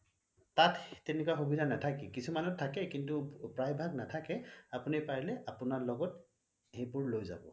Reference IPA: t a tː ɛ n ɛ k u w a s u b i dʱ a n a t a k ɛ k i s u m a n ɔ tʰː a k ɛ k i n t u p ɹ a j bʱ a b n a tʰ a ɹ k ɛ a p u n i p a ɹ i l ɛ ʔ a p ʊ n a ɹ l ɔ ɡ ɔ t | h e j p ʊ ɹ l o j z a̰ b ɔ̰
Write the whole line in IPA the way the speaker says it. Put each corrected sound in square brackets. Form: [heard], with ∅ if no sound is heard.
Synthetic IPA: t a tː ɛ n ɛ k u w a [x] u b i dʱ a n a [tʰ] a k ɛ k i s u m a n ɔ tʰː a k ɛ k i n t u p ɹ a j bʱ a [ɡ] n a tʰ a [∅] k ɛ a p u n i p a ɹ i l ɛ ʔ a p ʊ n a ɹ l ɔ ɡ ɔ t | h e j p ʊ ɹ l o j z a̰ b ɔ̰